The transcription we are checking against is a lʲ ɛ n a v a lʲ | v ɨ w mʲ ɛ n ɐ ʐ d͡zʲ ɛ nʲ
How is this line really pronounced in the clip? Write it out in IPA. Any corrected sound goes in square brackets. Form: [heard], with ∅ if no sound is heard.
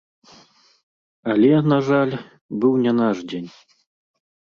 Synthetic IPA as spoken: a lʲ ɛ n a [ʐ] a lʲ | [b] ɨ w [nʲ] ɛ n [a] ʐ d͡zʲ [e] nʲ